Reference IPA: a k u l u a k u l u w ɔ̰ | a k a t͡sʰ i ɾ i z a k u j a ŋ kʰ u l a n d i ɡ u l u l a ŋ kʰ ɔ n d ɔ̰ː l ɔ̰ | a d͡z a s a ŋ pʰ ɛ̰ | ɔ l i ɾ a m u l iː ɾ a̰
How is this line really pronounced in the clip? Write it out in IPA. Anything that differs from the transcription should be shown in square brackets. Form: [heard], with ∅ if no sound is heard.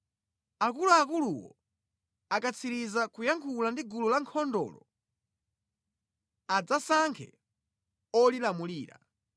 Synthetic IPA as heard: a k u l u a k u l u w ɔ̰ | a k a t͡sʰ i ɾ i z a k u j a ŋ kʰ u l a n d i ɡ u l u l a ŋ kʰ ɔ n d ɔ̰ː l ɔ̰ | a d͡z a s a ŋ [kʰ] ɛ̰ | ɔ l i [l] a m u l iː ɾ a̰